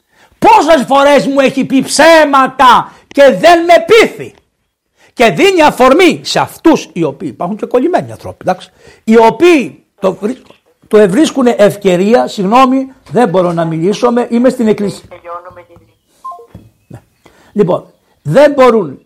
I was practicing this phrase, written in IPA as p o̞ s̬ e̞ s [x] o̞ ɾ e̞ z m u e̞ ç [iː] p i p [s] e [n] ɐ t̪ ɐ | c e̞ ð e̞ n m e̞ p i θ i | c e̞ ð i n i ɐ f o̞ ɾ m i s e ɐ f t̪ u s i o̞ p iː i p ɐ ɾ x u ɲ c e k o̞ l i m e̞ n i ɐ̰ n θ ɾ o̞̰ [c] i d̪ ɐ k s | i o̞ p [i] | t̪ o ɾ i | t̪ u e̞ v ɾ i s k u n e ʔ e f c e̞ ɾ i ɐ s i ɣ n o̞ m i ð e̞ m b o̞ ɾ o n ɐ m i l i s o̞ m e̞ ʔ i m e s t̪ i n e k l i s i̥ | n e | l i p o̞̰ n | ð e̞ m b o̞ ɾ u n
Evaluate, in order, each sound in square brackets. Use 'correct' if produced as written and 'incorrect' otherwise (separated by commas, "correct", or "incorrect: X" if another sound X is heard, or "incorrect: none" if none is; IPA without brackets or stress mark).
incorrect: f, incorrect: i, correct, incorrect: m, incorrect: p, incorrect: iː